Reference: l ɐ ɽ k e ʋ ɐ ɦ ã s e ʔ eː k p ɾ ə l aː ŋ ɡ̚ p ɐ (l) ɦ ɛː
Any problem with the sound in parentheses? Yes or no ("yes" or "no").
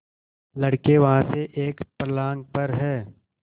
yes